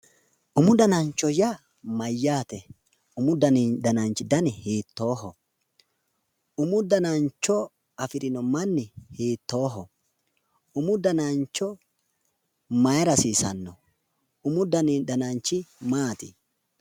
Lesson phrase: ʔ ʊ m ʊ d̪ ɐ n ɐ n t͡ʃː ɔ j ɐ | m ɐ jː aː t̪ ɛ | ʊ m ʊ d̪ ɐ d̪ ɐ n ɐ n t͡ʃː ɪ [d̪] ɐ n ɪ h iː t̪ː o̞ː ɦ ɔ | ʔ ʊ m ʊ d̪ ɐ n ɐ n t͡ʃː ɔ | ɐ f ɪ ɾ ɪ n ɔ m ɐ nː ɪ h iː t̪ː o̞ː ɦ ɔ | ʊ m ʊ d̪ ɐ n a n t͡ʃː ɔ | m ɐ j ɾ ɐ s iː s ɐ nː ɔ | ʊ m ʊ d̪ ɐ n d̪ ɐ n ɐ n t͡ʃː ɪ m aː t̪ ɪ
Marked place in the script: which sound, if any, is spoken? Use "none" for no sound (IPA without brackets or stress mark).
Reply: d̪